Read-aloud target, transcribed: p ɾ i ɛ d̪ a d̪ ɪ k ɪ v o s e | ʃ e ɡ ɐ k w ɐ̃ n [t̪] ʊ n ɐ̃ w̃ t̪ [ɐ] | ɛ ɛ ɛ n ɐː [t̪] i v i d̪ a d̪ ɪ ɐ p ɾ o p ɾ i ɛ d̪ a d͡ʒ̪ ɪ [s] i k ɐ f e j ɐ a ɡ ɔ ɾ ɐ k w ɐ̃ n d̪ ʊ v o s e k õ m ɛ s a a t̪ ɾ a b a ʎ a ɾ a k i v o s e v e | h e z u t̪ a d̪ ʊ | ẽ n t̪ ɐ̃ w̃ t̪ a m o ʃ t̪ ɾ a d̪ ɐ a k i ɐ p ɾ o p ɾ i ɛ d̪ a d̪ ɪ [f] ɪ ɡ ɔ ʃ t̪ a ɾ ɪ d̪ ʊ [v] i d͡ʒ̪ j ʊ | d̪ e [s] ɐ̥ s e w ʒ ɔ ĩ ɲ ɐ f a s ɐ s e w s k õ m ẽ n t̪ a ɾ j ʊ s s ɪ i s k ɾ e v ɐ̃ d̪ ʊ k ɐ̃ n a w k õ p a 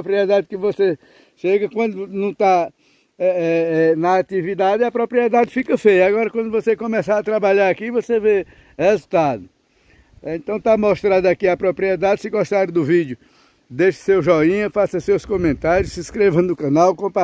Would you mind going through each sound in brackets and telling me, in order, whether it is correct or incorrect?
incorrect, incorrect, correct, incorrect, incorrect, correct, incorrect

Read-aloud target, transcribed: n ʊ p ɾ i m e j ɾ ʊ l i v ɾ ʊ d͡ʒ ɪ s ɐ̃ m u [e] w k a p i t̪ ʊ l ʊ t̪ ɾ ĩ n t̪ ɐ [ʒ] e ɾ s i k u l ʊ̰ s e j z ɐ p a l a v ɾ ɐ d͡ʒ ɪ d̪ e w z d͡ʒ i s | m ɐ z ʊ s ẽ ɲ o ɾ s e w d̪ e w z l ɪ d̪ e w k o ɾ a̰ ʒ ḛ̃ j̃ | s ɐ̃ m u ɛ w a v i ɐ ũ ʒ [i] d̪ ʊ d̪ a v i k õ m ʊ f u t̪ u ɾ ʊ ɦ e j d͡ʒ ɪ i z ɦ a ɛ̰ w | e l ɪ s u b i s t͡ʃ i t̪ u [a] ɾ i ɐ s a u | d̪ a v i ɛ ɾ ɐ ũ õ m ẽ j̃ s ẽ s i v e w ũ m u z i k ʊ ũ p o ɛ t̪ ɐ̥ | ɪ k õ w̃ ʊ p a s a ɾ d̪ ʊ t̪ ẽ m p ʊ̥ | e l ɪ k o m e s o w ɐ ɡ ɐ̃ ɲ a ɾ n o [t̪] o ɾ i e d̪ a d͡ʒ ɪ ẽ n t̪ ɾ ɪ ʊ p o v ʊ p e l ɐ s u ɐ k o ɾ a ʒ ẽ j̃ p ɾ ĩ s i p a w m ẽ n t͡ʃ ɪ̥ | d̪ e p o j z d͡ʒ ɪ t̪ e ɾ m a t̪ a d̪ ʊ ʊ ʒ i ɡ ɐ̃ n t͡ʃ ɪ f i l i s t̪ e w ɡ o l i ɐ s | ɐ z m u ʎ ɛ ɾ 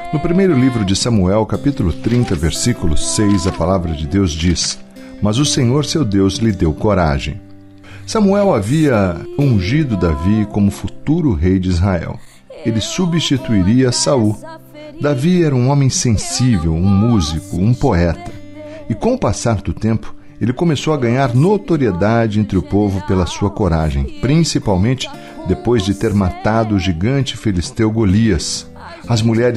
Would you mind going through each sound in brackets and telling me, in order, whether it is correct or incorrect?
incorrect, incorrect, correct, incorrect, correct

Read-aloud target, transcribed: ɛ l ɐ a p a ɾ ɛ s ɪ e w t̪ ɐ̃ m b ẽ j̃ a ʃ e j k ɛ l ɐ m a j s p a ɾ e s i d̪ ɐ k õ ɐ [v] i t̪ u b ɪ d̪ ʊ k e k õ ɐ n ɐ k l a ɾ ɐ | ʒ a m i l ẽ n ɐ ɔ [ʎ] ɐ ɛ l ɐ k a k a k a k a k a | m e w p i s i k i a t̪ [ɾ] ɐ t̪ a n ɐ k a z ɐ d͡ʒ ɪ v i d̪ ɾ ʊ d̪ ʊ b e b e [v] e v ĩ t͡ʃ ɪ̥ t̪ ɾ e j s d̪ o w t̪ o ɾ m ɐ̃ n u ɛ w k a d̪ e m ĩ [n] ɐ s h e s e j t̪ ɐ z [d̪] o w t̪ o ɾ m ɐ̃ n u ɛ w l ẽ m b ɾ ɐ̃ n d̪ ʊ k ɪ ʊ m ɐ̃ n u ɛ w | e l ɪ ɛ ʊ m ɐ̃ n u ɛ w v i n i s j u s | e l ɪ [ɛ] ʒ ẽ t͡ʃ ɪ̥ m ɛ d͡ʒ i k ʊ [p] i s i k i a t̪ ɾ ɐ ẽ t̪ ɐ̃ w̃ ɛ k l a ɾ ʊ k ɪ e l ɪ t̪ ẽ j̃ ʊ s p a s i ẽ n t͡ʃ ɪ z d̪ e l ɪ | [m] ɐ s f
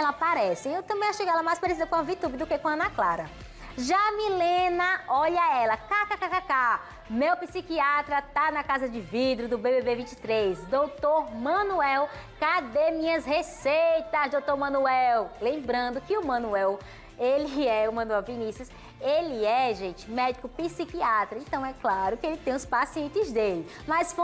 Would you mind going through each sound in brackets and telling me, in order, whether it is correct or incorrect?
correct, correct, correct, incorrect, incorrect, correct, correct, correct, correct

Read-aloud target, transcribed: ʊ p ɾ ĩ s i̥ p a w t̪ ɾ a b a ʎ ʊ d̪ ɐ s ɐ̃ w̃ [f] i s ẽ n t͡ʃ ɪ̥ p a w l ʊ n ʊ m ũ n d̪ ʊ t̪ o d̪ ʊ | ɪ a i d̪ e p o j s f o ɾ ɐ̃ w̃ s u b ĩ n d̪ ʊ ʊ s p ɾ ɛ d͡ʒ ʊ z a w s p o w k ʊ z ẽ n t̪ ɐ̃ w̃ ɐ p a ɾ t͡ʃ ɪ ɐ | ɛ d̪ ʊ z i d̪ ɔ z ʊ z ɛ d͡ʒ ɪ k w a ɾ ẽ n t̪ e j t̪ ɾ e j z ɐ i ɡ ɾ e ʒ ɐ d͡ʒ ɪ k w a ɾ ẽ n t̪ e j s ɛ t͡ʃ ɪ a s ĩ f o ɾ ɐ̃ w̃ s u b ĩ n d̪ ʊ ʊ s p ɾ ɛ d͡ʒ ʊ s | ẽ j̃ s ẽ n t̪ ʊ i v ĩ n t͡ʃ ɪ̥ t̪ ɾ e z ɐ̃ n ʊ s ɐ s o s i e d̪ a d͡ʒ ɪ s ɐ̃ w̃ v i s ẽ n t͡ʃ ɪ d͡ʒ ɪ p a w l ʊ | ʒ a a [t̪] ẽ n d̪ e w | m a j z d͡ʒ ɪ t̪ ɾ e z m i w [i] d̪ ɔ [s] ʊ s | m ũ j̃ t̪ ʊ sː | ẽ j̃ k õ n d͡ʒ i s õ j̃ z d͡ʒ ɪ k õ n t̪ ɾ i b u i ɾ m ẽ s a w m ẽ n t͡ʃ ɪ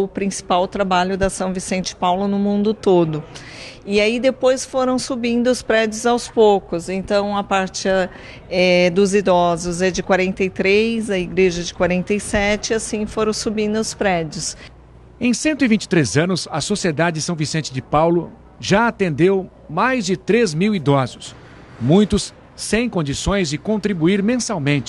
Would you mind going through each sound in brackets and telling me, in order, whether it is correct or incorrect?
incorrect, correct, correct, incorrect

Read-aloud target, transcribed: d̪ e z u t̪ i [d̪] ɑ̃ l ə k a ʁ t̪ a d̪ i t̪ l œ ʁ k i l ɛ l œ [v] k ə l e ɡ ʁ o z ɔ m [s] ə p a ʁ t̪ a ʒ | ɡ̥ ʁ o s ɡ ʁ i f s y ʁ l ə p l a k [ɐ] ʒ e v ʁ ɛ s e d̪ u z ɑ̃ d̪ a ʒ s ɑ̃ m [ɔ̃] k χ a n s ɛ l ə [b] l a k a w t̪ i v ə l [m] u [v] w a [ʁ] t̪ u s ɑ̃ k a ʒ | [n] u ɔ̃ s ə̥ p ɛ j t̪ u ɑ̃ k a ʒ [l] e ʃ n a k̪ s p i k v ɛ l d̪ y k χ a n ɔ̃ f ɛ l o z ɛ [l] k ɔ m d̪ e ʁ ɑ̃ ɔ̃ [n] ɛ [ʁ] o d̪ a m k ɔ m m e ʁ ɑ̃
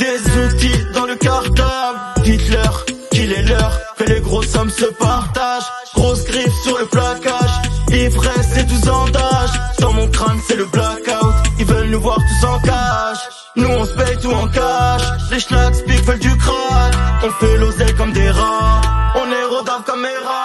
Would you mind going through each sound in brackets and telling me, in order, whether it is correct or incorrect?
correct, incorrect, correct, incorrect, correct, correct, incorrect, correct, correct, correct, correct, correct, correct, correct

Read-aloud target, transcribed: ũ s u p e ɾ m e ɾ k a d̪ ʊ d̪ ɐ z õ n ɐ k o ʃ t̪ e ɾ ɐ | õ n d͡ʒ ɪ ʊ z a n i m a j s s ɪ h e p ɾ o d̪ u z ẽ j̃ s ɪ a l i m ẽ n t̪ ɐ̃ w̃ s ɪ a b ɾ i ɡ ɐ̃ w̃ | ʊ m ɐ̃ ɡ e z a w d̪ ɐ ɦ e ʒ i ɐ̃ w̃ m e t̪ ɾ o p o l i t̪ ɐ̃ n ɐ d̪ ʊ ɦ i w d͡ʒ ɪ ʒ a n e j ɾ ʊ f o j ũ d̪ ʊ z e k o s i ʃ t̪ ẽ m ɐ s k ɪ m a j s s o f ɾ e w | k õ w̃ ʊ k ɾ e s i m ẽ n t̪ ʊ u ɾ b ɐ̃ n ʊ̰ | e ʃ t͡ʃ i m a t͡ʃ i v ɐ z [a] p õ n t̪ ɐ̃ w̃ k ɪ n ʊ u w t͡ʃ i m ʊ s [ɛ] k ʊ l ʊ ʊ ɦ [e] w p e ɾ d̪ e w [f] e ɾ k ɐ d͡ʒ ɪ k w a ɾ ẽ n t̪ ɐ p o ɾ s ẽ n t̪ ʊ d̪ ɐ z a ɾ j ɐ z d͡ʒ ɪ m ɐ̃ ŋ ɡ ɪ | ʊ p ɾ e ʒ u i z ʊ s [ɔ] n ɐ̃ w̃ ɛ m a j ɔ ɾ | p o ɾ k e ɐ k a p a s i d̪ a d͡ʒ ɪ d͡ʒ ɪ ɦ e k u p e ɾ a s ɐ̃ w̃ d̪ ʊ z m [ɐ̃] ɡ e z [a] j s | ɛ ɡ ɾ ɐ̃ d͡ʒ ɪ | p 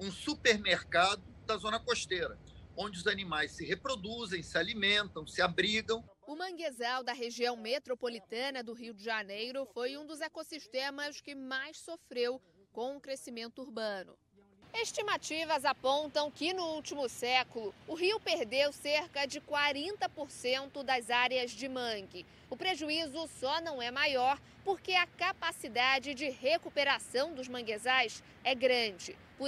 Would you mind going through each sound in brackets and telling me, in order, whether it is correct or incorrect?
correct, correct, incorrect, incorrect, correct, correct, correct

